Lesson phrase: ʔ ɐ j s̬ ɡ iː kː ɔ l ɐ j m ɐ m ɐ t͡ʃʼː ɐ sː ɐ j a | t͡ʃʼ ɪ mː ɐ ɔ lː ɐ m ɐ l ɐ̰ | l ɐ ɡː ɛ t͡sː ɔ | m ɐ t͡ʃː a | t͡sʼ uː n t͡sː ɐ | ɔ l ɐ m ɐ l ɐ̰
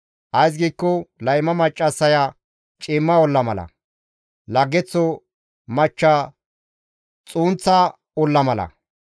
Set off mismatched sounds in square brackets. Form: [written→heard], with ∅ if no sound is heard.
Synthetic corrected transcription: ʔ ɐ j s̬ ɡ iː kː ɔ l ɐ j m ɐ m ɐ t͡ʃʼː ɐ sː ɐ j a | t͡ʃʼ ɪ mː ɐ ɔ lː ɐ m ɐ l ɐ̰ | l ɐ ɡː ɛ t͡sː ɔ | m ɐ t͡ʃː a | t͡sʼ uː n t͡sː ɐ | ɔ [l→lː] ɐ m ɐ l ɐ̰